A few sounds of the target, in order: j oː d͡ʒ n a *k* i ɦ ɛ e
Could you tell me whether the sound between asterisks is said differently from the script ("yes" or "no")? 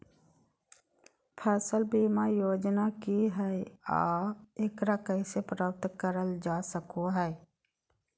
no